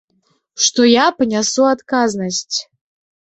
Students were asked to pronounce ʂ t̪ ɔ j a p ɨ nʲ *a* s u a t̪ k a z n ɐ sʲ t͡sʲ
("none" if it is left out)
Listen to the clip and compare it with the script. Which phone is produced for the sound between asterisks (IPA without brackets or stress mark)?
a